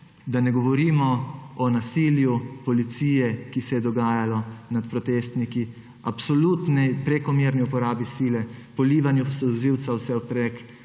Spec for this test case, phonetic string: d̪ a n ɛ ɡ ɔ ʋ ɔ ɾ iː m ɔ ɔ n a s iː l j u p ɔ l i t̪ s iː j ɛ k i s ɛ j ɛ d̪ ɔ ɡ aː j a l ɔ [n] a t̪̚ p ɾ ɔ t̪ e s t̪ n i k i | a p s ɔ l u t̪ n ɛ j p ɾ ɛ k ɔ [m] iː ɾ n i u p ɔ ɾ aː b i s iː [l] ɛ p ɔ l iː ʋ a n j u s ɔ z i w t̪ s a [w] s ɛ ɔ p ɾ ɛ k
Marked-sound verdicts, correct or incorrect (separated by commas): correct, correct, correct, correct